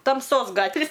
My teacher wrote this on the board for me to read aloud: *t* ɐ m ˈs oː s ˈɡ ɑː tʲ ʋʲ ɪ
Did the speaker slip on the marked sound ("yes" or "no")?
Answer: no